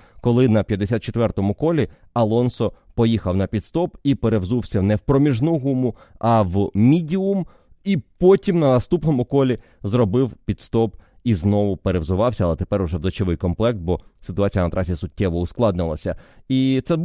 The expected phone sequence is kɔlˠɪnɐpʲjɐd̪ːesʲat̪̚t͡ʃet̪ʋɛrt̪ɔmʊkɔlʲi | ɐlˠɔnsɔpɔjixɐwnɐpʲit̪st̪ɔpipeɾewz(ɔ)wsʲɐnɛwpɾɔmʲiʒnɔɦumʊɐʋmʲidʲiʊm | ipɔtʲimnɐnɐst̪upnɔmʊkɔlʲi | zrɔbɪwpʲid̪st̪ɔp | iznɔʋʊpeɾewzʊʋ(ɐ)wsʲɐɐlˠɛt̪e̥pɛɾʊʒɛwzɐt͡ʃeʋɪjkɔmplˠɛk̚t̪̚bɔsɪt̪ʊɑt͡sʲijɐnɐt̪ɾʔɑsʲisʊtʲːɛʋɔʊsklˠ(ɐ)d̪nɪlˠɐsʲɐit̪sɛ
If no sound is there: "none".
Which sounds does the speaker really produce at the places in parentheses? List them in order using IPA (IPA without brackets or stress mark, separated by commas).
u, ɑ, ɑ